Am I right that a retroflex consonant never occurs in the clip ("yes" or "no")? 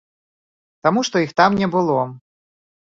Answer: no